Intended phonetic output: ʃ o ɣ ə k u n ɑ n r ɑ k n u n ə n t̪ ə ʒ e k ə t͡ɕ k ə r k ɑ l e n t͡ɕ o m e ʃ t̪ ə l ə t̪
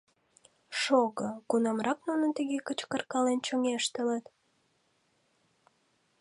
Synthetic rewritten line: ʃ o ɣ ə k u n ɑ m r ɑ k n u n ə n t̪ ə ɣ e k ə t͡ɕ k ə r k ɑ l e n t͡ɕ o ŋ e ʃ t̪ ə l ə t̪